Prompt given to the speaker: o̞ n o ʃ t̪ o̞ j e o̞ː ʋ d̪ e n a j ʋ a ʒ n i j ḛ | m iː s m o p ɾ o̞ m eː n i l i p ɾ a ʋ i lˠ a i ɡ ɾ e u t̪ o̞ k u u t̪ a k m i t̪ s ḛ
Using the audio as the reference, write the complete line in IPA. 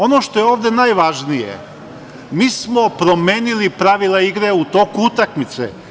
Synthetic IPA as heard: o̞ n o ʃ t̪ o̞ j e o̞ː ʋ d̪ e n a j ʋ a ʒ n i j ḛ | m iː s m o p ɾ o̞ m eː n i l i p ɾ a ʋ i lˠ a i ɡ ɾ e u t̪ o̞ k u u t̪ a k m i t̪ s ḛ